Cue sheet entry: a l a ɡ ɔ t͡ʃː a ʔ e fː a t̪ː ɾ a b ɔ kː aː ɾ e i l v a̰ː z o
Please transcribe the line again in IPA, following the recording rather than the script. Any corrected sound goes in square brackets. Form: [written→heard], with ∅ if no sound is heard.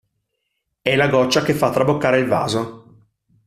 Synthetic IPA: [a→ɛ] l a ɡ ɔ t͡ʃː a [ʔ→k] e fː a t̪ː ɾ a b [ɔ→o] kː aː ɾ e i l v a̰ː z o